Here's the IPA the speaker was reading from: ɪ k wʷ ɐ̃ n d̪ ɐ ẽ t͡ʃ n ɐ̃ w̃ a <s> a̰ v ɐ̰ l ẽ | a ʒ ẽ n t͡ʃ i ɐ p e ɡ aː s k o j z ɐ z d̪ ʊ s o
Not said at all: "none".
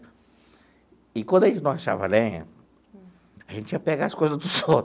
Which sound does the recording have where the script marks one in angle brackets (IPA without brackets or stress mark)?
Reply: ʃ